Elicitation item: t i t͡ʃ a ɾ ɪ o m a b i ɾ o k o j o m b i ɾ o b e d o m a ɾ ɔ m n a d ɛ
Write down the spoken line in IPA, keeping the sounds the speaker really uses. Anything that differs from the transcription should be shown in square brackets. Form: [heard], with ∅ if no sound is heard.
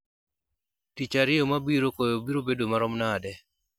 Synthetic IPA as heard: t i t͡ʃ a ɾ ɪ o m a b i ɾ o k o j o [∅] b i ɾ o b e d o m a ɾ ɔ m n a d ɛ